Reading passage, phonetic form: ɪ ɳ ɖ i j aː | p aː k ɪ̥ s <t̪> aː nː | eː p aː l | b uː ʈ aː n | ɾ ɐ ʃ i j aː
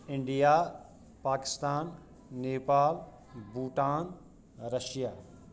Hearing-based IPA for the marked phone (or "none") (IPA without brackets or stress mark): t̪